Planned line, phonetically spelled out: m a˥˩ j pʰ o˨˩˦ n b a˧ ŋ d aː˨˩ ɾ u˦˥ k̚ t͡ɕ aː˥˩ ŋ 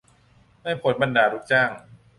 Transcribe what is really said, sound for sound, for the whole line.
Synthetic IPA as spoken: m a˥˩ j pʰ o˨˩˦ n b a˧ n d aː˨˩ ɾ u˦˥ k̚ t͡ɕ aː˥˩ ŋ